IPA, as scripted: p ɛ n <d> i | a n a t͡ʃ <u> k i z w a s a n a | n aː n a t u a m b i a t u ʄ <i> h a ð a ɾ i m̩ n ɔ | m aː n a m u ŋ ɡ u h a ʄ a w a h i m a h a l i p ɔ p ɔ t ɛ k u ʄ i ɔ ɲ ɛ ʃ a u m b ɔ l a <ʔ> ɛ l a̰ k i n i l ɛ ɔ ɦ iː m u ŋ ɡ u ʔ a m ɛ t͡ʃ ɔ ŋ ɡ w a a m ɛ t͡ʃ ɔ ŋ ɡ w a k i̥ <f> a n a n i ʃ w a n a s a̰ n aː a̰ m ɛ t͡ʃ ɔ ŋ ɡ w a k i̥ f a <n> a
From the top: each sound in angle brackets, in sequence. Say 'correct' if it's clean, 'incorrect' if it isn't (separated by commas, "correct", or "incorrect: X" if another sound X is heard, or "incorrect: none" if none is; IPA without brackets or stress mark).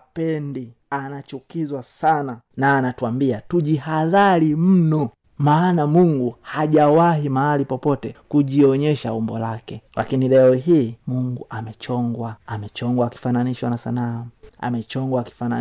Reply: correct, correct, correct, incorrect: k, correct, correct